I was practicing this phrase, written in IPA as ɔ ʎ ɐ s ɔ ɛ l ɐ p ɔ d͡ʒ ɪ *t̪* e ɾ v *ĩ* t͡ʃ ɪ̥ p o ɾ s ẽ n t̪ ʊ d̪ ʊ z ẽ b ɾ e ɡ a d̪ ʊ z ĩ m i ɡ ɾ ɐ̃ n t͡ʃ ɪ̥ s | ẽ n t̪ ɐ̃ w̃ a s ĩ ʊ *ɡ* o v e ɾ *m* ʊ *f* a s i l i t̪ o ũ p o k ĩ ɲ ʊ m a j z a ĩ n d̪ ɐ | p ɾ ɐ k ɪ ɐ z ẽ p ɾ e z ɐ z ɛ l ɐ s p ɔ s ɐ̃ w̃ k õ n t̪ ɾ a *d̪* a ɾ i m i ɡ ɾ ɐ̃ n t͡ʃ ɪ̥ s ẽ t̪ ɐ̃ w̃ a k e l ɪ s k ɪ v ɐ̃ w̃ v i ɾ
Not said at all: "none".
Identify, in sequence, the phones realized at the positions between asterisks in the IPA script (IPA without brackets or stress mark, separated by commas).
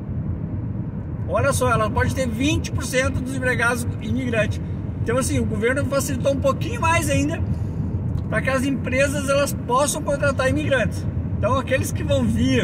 t̪, ĩ, ɡ, n, f, t̪